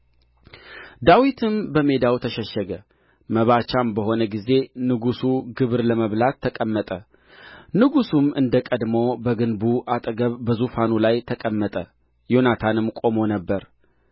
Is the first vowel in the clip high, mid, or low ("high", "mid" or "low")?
low